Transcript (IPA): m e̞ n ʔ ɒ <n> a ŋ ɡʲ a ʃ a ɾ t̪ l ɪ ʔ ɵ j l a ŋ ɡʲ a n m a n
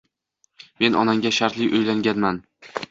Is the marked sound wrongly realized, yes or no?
no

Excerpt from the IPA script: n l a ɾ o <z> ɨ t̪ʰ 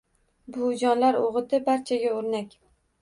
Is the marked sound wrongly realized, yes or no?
yes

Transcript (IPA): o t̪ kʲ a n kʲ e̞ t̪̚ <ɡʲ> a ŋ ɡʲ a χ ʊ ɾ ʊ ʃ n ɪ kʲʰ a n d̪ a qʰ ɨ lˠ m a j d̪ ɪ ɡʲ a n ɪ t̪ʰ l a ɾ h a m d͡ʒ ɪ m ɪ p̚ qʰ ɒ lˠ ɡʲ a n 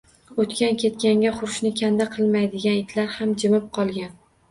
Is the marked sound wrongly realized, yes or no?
yes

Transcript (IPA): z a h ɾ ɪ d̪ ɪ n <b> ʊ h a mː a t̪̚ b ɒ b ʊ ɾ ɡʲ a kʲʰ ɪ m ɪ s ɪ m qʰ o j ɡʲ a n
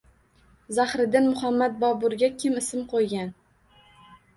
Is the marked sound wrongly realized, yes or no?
yes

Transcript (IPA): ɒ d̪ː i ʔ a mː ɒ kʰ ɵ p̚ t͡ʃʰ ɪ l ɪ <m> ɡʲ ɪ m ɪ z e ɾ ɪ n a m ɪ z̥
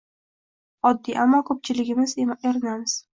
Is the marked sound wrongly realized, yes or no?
yes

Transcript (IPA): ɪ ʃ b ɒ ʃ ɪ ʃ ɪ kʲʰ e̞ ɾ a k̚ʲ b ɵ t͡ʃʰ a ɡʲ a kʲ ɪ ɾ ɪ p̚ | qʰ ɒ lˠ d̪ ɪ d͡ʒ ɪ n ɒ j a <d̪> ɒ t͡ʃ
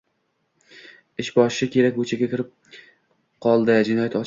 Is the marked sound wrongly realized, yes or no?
yes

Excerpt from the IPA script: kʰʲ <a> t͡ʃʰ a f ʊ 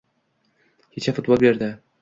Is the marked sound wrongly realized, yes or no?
yes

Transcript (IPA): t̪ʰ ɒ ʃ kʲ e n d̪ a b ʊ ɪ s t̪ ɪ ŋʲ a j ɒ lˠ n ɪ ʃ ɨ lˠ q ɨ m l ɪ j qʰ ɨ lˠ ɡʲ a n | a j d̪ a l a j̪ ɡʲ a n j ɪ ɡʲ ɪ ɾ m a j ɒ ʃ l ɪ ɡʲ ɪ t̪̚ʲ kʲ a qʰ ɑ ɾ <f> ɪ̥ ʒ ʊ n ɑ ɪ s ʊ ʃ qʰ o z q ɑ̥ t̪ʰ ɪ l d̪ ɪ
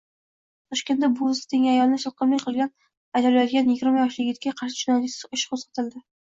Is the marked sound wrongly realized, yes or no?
yes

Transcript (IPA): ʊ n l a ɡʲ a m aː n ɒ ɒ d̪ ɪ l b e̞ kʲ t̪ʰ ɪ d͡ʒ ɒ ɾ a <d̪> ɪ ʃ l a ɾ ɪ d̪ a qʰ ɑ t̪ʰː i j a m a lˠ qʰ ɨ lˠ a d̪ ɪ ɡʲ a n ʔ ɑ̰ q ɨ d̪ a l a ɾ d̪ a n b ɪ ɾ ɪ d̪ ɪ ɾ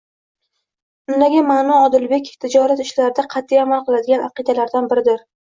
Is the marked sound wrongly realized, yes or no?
yes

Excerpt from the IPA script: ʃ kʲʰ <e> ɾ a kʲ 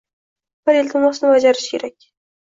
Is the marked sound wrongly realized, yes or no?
no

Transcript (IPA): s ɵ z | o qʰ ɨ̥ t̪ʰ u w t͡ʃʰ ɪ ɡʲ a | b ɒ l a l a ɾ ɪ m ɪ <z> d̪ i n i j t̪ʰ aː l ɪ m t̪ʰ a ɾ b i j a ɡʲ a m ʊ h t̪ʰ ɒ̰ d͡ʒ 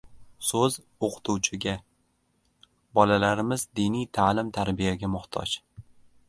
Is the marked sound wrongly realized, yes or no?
no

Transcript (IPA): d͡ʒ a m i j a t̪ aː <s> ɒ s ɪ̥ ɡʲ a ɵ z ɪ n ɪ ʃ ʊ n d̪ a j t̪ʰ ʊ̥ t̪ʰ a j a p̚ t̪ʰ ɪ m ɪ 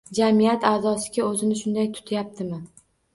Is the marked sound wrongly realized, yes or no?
yes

